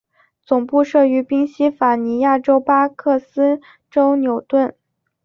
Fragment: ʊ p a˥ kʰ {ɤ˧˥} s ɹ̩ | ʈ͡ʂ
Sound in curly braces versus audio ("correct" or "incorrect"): incorrect